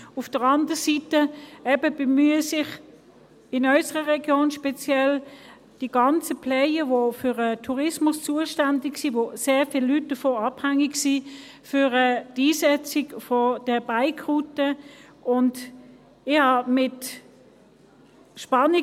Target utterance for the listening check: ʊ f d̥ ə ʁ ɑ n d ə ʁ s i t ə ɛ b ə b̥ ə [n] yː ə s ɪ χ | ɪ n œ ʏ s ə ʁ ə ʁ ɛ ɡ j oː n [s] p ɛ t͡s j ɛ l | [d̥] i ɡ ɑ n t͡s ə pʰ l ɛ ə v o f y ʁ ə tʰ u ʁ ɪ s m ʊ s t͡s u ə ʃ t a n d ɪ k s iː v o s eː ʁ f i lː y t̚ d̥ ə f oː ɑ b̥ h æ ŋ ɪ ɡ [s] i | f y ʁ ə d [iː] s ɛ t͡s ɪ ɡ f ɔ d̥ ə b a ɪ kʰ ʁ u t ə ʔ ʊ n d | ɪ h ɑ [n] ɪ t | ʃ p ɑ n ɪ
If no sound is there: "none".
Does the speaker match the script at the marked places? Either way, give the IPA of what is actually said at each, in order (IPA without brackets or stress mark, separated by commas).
m, ʃ, d̥, s, iː, m